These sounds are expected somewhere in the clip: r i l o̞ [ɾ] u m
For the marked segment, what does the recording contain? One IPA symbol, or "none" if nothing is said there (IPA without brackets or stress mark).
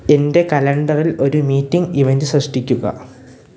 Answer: ɾ